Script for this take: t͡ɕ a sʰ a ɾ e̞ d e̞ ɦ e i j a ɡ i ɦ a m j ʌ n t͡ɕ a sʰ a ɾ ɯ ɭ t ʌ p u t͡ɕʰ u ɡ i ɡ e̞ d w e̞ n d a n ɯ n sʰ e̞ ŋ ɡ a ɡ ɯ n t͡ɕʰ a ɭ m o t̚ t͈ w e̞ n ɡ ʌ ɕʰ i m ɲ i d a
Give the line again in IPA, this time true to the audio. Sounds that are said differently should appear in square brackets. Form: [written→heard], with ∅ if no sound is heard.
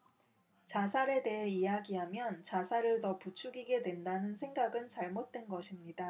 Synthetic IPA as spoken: t͡ɕ a sʰ a ɾ e̞ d e̞ ɦ e i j a ɡ i ɦ a m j ʌ n t͡ɕ a sʰ a ɾ ɯ ɭ t ʌ p u t͡ɕʰ u ɡ i ɡ e̞ d w e̞ n d a n ɯ n sʰ e̞ ŋ ɡ a ɡ ɯ n [t͡ɕʰ→t͡ɕ] a ɭ m o t̚ t͈ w e̞ n ɡ ʌ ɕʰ i m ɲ i d a